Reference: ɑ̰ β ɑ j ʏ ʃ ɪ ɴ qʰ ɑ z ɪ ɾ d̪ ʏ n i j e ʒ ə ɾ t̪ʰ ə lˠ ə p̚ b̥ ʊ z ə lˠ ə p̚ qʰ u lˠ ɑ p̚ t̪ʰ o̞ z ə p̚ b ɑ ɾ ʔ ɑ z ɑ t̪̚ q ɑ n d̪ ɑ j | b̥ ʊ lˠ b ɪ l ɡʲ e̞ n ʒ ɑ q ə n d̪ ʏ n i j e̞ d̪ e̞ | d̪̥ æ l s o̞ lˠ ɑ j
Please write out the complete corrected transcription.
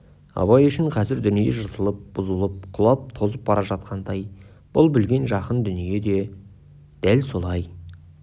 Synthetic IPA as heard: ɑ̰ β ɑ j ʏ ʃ ɪ ɴ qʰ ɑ z ɪ ɾ d̪ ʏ n i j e ʒ ə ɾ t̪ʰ ə lˠ ə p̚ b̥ ʊ z ə lˠ ə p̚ qʰ ʊ lˠ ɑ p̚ t̪ʰ o̞ z ə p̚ b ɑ ɾ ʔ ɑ ʒ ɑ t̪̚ q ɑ n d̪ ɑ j | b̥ ʊ lˠ b ɪ l ɡʲ e̞ n ʒ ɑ q ə n d̪ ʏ n i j e̞ d̪ e̞ | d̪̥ æ l s o̞ lˠ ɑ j